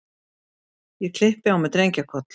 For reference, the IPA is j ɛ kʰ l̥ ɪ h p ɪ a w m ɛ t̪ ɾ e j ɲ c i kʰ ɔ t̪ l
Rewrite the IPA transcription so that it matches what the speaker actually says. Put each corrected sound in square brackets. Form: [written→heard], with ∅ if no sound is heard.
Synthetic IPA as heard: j ɛ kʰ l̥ ɪ h p ɪ a w m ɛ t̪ ɾ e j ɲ c [i→a] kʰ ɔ t̪ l